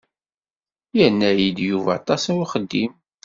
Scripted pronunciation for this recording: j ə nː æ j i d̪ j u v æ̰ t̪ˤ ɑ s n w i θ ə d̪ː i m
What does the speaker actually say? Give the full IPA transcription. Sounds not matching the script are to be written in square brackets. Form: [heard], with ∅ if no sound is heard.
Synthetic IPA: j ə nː æ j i d̪ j u v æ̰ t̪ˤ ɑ s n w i [χ] ə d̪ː i m